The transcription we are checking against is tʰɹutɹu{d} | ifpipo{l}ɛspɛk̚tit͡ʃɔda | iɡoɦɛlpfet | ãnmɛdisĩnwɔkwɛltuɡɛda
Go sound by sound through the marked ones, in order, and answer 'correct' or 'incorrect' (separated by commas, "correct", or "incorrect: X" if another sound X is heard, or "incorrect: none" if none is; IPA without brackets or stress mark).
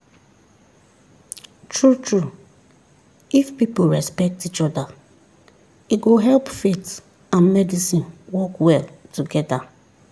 incorrect: none, incorrect: ɹ